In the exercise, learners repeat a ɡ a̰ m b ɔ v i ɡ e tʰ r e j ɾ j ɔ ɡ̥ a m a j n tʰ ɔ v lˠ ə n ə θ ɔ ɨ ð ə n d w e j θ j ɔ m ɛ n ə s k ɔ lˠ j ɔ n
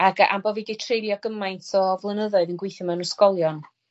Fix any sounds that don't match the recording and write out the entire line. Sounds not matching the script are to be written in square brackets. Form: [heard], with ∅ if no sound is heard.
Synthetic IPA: a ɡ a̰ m b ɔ v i ɡ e tʰ r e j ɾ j ɔ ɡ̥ [ə] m a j n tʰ ɔ v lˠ ə n ə [ð] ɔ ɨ ð ə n [ɡ] w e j θ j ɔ m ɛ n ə s k ɔ lˠ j ɔ n